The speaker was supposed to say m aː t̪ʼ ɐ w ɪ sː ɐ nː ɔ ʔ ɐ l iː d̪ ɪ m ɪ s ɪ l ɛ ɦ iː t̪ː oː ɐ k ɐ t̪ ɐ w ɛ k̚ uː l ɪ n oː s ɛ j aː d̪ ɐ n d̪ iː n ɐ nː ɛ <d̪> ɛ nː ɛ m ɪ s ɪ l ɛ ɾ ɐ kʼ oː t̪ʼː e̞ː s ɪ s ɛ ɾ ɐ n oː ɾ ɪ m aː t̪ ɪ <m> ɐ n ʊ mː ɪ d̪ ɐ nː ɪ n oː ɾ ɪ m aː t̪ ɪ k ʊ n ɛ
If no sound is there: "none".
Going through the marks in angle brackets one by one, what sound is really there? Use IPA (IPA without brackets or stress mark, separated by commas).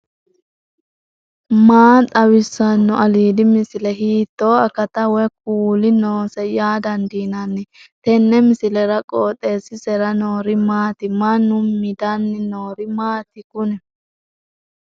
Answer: t̪, m